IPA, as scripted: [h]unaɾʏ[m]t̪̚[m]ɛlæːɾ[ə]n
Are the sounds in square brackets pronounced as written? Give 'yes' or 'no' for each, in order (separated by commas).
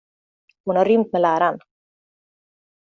yes, yes, yes, no